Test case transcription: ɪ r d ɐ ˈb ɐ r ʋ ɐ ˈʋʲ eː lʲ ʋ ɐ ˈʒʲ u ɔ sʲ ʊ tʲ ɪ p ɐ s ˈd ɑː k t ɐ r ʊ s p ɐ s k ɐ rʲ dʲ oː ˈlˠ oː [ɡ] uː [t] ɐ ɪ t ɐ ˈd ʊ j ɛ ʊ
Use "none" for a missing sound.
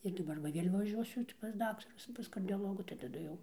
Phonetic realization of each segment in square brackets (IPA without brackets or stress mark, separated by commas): ɡ, t